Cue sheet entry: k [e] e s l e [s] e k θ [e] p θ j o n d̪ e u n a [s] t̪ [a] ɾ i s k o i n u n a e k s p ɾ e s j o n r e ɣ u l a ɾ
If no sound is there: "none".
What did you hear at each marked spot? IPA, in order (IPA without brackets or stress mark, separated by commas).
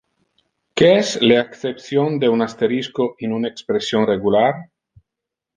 e, none, e, s, e